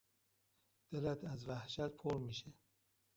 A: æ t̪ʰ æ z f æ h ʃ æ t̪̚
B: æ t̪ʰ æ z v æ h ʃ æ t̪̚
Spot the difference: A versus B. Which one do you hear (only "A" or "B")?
B